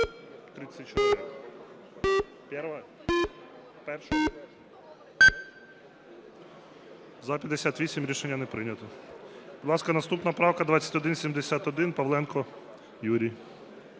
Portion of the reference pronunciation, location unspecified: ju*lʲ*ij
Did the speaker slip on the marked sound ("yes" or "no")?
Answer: yes